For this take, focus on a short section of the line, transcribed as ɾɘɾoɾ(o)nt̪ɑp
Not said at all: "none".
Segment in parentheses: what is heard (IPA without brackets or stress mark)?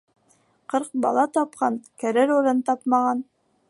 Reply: ɤ